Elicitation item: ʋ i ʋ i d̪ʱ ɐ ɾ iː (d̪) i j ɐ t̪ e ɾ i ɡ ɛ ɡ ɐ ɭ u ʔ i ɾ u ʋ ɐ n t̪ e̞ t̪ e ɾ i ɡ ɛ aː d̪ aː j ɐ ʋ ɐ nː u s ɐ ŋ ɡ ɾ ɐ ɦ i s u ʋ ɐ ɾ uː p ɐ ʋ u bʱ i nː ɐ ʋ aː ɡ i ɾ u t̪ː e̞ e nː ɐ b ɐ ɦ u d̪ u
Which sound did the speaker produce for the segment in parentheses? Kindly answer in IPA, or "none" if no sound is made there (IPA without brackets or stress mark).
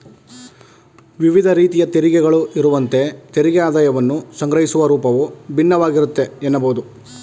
t̪